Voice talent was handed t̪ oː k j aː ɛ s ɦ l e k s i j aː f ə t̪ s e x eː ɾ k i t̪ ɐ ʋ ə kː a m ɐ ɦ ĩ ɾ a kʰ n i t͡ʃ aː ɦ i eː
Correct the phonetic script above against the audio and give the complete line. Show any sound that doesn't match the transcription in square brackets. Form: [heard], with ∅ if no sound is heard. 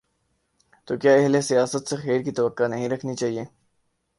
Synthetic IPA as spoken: t̪ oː k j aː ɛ [∅] ɦ l e [∅] s i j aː [s] ə t̪ s e x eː ɾ k i t̪ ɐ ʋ ə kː a [n] ɐ ɦ ĩ ɾ [ɐ] kʰ n i t͡ʃ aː ɦ i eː